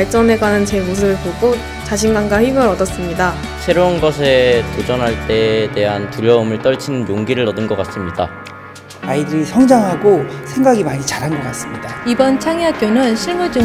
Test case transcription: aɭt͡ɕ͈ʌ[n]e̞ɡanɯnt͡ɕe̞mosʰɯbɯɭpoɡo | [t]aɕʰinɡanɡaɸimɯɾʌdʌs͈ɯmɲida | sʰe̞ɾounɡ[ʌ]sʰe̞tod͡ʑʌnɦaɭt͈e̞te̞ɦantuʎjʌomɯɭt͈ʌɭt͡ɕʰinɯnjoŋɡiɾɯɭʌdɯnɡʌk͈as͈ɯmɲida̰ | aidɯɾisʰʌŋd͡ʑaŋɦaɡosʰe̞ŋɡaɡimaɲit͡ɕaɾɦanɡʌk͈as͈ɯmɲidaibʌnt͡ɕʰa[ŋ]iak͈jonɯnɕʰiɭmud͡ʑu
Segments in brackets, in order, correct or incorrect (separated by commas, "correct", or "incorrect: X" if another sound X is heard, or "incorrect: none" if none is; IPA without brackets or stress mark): correct, incorrect: t͡ɕ, correct, correct